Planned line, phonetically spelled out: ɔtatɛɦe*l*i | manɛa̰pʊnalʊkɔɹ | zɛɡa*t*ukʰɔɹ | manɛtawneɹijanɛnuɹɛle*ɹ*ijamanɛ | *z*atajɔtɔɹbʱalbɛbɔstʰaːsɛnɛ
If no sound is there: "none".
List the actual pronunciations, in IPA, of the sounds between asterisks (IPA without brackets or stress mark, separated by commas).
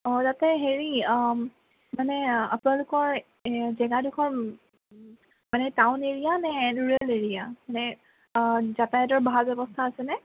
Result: ɹ, d, ɹ, z